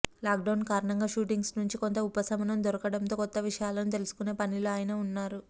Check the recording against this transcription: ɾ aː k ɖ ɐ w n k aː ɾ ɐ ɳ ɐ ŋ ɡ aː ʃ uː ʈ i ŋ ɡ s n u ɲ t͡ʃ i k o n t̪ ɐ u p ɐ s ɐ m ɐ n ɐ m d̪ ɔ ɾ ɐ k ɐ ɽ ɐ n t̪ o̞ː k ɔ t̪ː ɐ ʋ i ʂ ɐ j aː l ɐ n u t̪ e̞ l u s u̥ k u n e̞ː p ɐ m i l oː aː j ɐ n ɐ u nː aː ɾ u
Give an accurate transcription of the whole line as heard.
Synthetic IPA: l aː k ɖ ɐ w n k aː ɾ ɐ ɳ ɐ ŋ ɡ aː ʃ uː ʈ i ŋ ɡ s n u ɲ t͡ʃ i k o n t̪ ɐ u p ɐ s ɐ m ɐ n ɐ m d̪ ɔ ɾ ɐ k ɐ ɽ ɐ n t̪ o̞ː k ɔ t̪ː ɐ ʋ i ʂ ɐ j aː l ɐ n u t̪ e̞ l u s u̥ k u n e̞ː p ɐ n i l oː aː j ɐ n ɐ u nː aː ɾ u